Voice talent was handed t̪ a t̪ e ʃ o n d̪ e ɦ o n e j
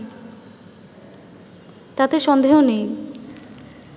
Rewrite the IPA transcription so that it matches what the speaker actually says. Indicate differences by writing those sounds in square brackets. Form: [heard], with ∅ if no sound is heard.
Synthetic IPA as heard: t̪ a t̪ e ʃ [ɔ] n d̪ e ɦ o n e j